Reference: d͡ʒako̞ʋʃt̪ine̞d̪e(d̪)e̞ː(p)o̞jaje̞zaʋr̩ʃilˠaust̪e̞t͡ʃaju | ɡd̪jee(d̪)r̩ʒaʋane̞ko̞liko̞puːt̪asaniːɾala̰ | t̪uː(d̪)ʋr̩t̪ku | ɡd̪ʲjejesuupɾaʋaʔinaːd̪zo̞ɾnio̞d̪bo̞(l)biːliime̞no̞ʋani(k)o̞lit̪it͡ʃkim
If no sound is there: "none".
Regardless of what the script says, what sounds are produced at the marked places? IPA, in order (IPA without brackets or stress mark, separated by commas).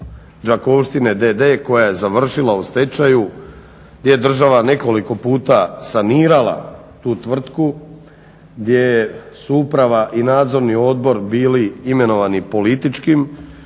d̪, k, d̪, t̪, ɾ, p